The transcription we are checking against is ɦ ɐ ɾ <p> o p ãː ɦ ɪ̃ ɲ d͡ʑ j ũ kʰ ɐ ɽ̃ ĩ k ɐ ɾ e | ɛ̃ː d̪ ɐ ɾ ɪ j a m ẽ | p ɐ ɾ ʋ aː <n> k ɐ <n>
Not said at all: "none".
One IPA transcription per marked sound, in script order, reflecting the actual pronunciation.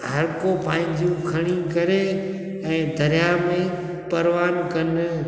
k, n, n

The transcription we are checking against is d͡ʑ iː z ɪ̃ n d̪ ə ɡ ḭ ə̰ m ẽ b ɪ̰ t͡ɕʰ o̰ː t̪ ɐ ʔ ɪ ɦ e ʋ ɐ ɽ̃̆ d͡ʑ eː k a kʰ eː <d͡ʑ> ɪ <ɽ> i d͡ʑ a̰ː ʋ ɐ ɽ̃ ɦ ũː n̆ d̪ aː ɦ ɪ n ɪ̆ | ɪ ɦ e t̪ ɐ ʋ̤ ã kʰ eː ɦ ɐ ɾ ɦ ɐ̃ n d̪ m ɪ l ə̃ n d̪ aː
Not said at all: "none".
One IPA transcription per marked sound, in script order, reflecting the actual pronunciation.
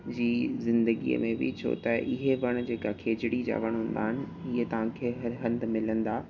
d͡ʑ, ɽ

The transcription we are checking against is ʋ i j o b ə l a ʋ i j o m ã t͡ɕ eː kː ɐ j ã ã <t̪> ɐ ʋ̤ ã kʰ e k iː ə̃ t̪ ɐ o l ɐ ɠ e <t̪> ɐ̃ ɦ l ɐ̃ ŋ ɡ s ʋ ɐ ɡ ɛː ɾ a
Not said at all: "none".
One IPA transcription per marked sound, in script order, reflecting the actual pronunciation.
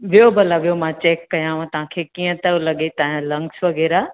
t̪, t̪

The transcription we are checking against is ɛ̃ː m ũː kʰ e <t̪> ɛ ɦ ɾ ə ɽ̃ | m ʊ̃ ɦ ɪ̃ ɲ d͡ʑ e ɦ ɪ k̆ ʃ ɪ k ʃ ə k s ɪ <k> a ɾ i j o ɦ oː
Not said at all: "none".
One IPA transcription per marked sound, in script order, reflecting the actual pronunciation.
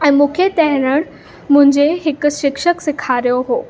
t̪, kʰ

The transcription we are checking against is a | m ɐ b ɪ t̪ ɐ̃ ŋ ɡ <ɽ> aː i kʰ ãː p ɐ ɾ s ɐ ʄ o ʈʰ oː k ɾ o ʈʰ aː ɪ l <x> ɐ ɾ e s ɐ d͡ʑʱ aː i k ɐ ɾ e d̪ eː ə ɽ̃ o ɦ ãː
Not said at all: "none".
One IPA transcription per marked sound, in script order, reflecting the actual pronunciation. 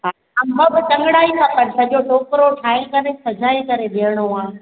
ɽ, k

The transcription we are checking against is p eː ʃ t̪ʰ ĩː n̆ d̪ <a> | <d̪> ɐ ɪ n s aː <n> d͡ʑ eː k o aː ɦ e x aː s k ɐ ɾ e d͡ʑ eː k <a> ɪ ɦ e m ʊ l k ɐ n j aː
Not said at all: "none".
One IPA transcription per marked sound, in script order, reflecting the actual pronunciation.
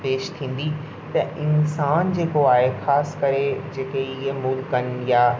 i, t̪, n, e

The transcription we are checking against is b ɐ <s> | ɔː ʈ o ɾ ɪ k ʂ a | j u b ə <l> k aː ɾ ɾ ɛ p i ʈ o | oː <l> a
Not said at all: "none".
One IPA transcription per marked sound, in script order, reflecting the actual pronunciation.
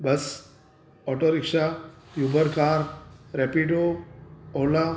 s, ɾ, l

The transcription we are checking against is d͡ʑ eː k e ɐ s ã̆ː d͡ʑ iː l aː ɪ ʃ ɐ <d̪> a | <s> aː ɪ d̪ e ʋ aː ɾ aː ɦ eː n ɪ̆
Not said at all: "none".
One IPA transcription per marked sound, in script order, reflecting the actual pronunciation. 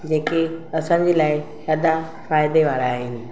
d̪, f

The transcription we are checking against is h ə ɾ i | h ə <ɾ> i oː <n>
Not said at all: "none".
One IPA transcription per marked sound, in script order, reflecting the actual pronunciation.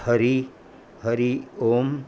ɾ, m

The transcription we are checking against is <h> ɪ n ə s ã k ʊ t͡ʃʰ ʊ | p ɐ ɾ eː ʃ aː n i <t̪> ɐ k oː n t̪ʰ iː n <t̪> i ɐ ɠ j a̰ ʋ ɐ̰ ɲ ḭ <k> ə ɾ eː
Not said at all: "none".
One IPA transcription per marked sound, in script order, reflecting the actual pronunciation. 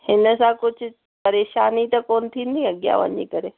h, t̪, d̪, k

